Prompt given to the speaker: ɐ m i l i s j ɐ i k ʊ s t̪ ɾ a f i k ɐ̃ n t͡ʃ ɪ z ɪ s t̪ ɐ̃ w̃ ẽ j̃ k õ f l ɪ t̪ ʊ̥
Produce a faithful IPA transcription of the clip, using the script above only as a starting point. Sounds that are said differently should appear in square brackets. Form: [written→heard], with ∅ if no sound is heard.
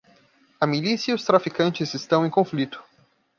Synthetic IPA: ɐ m i l i s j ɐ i [k→∅] ʊ s t̪ ɾ a f i k ɐ̃ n t͡ʃ ɪ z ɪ s t̪ ɐ̃ w̃ ẽ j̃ k õ f l [ɪ→i] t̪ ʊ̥